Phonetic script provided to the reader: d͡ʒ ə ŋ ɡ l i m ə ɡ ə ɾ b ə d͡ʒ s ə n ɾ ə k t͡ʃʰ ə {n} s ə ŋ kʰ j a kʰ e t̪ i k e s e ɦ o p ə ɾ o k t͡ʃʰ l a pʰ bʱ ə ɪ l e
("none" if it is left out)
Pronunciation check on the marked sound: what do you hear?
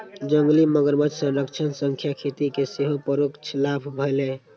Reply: n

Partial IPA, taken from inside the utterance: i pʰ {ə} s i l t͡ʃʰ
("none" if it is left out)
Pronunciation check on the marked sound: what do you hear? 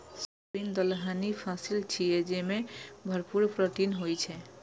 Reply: a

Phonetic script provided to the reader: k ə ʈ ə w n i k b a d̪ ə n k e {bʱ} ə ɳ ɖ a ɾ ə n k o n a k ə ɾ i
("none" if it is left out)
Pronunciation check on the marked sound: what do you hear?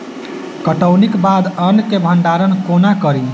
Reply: bʱ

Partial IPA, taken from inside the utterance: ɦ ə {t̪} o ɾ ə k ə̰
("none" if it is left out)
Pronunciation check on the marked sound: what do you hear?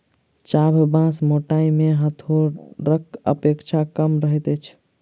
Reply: t̪ʰ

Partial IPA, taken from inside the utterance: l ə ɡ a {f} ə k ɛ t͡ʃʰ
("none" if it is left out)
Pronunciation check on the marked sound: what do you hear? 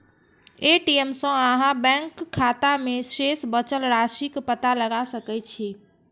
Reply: s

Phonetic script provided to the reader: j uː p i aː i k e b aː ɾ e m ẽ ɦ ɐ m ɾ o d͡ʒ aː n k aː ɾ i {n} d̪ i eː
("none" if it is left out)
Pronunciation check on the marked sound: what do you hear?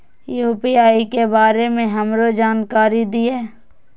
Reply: none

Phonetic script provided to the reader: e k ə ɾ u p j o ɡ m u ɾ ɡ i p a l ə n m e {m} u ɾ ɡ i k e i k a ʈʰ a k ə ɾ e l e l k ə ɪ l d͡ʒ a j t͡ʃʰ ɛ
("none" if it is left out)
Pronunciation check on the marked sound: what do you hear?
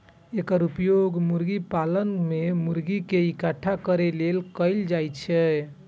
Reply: m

